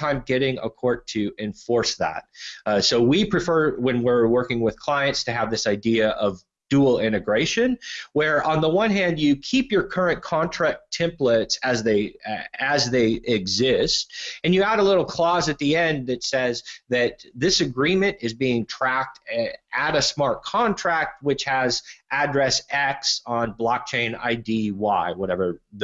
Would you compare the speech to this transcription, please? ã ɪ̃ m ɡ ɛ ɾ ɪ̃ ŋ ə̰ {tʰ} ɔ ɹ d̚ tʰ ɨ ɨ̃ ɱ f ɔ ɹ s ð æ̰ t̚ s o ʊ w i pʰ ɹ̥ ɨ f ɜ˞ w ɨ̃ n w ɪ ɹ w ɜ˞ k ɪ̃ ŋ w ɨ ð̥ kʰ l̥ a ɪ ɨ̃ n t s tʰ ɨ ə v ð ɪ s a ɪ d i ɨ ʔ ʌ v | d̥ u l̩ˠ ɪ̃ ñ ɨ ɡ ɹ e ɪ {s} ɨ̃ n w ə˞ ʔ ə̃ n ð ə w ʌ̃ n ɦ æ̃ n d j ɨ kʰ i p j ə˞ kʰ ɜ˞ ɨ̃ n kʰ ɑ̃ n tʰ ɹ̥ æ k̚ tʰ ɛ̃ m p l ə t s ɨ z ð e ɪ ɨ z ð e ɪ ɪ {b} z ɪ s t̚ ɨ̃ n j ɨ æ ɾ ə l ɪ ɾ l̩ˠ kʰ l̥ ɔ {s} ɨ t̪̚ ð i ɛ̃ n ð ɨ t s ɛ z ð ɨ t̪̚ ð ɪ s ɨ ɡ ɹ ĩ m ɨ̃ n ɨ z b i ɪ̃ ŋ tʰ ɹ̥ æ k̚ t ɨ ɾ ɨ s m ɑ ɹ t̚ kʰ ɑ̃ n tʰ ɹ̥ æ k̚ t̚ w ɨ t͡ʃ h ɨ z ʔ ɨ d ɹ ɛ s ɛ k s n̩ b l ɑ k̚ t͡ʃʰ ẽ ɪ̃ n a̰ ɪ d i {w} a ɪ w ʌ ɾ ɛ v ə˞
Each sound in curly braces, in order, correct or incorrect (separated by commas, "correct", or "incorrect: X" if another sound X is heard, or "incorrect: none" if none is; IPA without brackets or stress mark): incorrect: kʰ, incorrect: ʃ, incorrect: ɡ, incorrect: z, correct